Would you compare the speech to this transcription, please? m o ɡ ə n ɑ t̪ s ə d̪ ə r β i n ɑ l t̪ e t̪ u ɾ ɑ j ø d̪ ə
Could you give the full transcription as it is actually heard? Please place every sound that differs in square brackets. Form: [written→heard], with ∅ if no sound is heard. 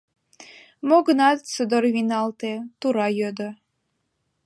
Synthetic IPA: m o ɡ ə n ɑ t̪ s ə d̪ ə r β i n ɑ l t̪ e t̪ u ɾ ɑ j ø d̪ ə